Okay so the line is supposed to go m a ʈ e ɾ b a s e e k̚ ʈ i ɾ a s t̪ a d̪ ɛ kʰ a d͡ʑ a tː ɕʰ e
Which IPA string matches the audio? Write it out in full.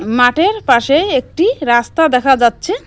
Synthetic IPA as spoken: m a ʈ e ɾ p a ʃ e e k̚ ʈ i ɾ a s t̪ a d̪ ɛ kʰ a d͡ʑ a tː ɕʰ e